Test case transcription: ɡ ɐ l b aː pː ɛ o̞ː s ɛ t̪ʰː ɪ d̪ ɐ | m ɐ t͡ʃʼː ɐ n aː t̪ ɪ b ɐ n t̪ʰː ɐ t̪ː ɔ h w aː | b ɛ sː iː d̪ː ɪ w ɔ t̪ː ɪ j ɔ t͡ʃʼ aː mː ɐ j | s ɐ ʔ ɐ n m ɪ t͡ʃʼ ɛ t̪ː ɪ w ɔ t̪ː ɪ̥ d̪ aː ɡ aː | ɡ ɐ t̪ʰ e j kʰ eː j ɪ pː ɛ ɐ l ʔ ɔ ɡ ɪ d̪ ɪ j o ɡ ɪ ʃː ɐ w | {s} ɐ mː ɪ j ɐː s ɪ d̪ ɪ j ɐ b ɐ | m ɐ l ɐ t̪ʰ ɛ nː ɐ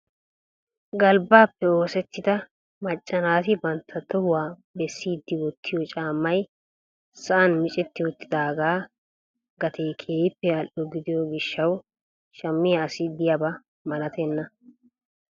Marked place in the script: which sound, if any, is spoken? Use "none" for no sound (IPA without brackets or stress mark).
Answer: ʃ